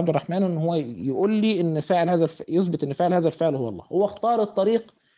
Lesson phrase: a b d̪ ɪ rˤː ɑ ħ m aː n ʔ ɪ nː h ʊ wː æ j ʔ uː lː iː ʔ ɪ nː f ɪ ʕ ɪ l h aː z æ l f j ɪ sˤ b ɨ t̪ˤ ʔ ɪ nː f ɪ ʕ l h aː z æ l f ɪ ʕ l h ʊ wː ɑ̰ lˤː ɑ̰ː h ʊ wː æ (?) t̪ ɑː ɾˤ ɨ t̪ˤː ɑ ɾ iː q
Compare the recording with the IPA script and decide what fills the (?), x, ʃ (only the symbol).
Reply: x